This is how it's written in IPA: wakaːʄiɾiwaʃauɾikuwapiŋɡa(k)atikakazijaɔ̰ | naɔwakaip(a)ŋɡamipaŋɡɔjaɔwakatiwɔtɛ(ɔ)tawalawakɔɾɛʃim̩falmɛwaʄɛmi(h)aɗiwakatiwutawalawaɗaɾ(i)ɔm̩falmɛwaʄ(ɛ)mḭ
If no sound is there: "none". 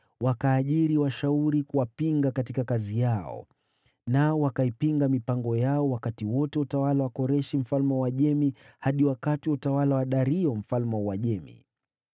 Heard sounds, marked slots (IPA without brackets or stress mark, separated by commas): k, i, u, h, i, ɛ